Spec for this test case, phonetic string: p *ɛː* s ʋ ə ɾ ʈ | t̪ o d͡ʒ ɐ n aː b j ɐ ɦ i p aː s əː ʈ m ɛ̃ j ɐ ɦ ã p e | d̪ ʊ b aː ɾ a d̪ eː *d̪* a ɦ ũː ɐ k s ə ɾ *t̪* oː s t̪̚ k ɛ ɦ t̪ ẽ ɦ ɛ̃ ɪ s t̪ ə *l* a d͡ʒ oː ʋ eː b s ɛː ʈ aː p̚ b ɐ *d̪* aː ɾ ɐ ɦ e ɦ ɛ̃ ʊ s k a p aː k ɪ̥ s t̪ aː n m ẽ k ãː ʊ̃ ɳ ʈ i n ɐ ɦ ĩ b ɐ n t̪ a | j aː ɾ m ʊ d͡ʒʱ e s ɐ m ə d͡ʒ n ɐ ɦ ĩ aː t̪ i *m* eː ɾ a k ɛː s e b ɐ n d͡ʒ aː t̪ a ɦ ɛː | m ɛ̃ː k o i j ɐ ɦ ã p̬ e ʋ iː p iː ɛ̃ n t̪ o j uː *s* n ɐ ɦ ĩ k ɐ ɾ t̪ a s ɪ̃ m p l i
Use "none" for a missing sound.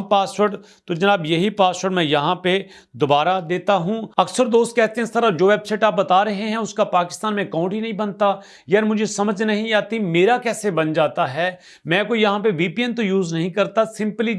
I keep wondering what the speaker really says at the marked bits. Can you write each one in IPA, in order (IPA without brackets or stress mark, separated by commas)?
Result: aː, t̪, d̪, ɾ, t̪, m, z